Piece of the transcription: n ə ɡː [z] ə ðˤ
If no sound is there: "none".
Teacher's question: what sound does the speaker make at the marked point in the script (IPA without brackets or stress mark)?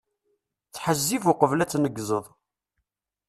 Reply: z